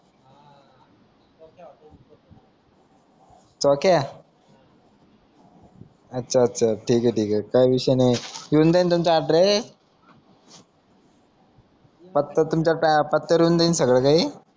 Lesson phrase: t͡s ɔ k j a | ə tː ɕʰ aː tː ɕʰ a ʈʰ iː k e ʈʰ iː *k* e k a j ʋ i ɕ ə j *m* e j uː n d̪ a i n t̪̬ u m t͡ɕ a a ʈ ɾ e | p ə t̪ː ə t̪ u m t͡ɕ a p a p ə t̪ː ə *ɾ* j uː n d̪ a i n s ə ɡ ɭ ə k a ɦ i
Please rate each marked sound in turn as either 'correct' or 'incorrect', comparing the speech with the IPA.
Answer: correct, incorrect, correct

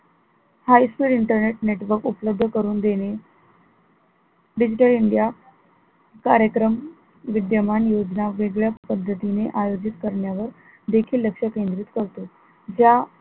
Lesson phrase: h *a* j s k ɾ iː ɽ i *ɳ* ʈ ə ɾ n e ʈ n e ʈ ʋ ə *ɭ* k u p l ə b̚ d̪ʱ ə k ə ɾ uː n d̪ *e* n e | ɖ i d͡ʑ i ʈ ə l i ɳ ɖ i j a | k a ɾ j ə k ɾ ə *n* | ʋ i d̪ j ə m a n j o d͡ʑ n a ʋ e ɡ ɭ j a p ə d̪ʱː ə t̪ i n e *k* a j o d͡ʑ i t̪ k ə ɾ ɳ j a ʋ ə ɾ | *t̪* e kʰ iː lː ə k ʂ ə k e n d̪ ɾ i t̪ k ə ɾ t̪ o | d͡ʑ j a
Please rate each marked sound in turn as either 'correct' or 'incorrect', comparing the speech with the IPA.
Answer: correct, correct, incorrect, correct, incorrect, incorrect, incorrect

